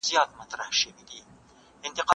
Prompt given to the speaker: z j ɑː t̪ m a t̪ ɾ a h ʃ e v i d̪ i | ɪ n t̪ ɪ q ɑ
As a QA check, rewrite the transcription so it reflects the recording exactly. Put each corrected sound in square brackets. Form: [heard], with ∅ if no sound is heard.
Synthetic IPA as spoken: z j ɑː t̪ m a t̪ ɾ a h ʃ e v i d̪ i | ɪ n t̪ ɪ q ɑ